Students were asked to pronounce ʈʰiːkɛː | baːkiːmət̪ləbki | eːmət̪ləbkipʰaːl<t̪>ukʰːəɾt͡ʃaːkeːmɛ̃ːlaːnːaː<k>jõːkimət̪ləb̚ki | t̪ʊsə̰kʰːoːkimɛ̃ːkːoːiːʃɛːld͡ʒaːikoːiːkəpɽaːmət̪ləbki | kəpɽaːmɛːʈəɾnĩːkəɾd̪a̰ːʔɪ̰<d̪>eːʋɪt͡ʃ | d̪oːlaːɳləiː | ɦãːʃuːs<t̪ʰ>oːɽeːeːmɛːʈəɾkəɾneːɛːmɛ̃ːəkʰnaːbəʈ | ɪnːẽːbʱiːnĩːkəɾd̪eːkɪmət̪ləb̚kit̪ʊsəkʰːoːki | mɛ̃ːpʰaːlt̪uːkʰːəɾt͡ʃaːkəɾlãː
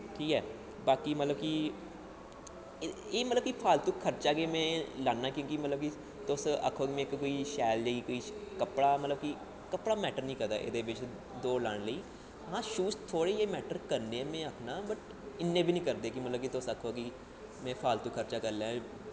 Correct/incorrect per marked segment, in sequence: correct, correct, correct, correct

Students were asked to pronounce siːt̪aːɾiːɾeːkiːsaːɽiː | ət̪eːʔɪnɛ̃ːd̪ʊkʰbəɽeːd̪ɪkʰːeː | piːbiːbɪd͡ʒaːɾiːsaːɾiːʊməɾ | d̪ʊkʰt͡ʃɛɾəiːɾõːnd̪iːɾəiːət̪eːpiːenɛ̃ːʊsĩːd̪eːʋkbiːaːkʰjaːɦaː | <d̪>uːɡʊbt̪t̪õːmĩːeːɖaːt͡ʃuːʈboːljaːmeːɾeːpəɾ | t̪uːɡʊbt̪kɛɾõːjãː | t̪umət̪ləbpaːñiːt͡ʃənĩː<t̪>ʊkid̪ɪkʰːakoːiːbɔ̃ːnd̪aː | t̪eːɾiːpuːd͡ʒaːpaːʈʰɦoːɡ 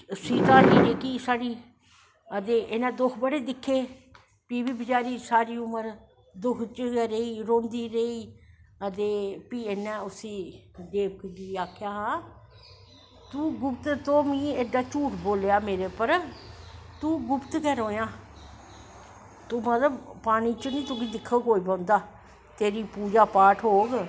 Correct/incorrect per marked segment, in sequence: incorrect: t̪, correct

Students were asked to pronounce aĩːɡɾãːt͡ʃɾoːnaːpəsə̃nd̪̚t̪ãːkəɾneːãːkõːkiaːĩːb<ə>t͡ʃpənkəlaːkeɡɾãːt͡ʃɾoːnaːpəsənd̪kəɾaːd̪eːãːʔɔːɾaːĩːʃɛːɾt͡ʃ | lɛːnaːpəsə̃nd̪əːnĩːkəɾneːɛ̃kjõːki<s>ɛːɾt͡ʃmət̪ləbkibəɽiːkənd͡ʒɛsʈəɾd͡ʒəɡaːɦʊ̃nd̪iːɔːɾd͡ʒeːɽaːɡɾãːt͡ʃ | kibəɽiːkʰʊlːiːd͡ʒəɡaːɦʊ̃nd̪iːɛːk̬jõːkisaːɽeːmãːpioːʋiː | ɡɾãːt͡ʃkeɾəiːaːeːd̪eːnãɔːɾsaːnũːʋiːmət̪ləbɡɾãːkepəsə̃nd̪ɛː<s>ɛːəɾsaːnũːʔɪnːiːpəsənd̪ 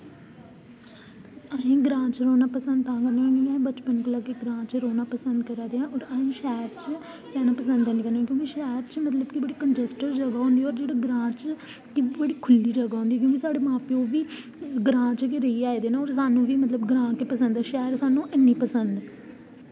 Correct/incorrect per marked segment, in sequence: correct, incorrect: ʃ, incorrect: ʃ

